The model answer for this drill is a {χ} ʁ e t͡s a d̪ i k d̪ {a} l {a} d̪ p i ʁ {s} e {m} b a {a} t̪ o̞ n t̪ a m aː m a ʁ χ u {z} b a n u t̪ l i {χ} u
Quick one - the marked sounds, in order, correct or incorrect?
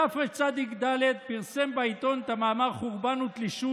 incorrect: f, correct, incorrect: e, correct, correct, incorrect: i, incorrect: ʁ, incorrect: ʃ

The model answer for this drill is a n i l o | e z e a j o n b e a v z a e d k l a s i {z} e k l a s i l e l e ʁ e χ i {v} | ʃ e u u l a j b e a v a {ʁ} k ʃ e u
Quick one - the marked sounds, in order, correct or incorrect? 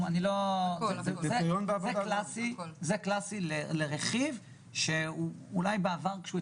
correct, correct, correct

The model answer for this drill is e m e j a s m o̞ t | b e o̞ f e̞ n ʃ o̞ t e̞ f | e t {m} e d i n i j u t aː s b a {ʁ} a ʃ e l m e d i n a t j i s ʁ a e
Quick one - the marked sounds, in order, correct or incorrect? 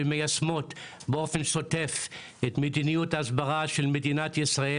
correct, correct

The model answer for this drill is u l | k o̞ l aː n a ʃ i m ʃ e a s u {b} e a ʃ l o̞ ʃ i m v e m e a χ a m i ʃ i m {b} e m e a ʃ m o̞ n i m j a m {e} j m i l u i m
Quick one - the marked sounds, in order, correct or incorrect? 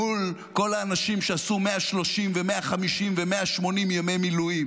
incorrect: m, incorrect: v, correct

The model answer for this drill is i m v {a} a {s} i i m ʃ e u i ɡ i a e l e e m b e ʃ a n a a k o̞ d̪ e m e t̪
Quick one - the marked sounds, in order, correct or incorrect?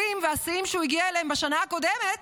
incorrect: e, correct

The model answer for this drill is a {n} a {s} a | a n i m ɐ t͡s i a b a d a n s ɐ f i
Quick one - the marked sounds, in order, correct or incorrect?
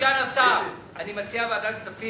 correct, correct

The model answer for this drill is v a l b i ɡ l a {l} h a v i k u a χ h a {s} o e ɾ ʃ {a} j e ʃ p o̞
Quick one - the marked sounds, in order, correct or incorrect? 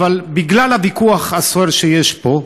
correct, correct, incorrect: e

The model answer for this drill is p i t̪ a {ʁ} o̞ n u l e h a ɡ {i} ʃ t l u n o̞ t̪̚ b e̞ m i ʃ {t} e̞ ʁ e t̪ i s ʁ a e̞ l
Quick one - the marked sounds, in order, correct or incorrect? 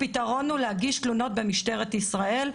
correct, correct, correct

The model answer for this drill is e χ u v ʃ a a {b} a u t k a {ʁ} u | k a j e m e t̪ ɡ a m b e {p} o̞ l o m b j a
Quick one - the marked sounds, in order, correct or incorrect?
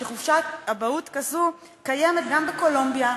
correct, incorrect: z, incorrect: k

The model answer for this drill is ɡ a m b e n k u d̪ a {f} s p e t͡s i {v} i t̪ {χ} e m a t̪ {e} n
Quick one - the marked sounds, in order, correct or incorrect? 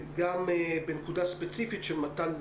incorrect: none, incorrect: f, incorrect: ʃ, incorrect: a

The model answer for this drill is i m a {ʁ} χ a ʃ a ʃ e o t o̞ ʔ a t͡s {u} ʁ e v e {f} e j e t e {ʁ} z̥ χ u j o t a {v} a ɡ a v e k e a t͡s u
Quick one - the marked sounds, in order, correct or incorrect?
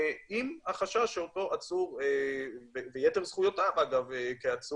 incorrect: none, correct, incorrect: v, correct, correct

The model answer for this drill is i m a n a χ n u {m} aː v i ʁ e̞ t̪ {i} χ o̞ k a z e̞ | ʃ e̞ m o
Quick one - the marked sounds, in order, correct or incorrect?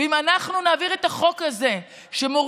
incorrect: n, incorrect: a

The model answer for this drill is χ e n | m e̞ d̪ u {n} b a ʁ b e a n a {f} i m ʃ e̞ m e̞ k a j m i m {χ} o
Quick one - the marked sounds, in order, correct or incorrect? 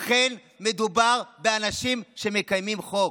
incorrect: none, incorrect: ʃ, correct

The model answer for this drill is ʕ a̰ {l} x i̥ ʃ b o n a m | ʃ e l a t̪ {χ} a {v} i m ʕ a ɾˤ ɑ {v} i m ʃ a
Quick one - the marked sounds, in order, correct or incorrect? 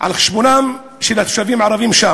correct, incorrect: ʃ, correct, correct

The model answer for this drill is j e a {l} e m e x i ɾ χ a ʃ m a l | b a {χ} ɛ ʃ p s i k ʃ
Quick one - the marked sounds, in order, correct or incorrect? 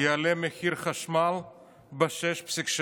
correct, incorrect: ʃ

